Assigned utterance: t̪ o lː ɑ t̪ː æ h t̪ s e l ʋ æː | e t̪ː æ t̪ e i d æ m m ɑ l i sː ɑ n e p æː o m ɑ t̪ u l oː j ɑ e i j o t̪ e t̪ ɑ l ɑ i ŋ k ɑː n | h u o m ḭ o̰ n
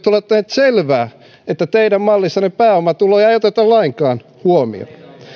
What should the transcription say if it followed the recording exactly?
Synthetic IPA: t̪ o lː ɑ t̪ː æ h t̪ s e l ʋ æː | e t̪ː æ t̪ e i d æ m m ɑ lː i sː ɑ n e p æː o m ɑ t̪ u l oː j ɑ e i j o t̪ e t̪ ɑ l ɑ i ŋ k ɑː n | h u o m ḭ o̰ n